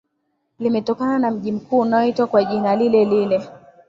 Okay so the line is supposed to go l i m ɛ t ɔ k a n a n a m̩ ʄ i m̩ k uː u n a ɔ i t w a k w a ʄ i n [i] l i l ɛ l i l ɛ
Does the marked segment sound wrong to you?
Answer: yes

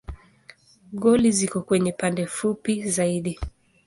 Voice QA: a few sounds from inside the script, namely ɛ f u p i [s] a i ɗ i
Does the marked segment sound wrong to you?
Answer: yes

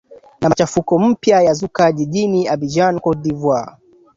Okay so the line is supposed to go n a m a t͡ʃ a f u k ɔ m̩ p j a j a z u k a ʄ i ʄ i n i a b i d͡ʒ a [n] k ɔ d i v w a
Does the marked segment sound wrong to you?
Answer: no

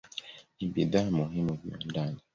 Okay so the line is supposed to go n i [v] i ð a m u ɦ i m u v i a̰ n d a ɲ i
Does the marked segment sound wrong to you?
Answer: yes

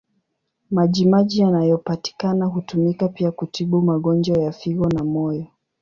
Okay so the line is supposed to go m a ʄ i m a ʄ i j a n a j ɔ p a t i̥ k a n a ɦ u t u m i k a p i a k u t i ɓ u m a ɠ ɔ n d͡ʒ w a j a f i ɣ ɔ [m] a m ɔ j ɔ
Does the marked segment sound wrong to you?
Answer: yes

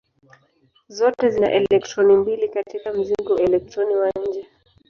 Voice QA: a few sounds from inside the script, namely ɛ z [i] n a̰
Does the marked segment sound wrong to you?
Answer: no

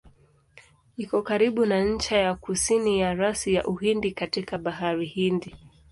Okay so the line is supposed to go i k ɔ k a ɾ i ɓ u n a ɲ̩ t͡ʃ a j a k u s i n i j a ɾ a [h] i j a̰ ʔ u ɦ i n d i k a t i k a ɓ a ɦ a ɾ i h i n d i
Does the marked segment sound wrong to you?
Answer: yes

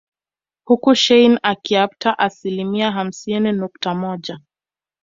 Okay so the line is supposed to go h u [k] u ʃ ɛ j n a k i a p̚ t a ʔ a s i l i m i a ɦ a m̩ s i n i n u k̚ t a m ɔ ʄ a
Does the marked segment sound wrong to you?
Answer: no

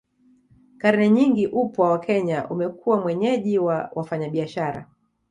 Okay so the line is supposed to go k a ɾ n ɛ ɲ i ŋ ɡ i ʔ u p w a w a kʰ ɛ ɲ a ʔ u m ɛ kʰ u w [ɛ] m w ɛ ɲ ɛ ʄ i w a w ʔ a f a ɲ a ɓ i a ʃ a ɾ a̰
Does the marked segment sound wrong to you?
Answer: yes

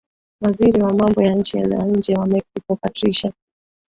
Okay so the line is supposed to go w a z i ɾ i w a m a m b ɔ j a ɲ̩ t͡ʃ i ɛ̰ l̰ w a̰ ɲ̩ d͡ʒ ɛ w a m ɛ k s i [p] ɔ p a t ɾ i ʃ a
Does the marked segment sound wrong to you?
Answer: yes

